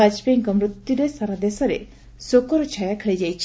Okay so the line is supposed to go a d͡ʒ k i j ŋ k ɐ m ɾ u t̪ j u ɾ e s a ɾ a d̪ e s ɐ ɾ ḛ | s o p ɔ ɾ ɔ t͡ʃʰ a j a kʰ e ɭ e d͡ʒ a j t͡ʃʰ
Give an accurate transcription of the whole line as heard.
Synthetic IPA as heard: a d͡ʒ p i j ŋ k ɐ m ɾ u t̪ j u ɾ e s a ɾ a d̪ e s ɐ ɾ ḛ | s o k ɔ ɾ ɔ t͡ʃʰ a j a kʰ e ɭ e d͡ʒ a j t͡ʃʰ